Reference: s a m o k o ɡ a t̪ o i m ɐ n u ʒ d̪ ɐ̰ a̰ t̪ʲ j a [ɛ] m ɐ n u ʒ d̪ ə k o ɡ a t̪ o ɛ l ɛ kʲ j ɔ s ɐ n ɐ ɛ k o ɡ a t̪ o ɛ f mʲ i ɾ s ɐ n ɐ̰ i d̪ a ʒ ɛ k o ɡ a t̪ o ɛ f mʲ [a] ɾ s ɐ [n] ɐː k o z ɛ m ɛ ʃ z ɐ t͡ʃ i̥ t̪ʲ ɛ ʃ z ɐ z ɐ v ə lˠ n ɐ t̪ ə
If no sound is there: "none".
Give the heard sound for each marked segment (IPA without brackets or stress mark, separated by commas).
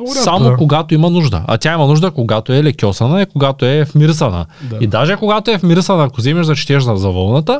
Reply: i, i, n